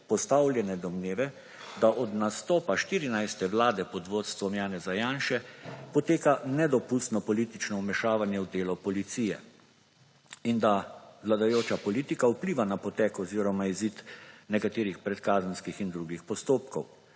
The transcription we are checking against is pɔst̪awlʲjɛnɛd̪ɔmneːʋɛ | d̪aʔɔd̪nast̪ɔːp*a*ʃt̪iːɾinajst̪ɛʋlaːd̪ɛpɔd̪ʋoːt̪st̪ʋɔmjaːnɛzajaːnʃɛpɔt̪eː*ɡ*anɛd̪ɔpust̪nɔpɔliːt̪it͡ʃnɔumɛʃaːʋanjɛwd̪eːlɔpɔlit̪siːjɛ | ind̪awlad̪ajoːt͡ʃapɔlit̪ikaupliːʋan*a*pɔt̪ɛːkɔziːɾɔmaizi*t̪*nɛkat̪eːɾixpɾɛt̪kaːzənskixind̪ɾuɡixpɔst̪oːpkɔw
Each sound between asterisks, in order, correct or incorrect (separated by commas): correct, incorrect, correct, correct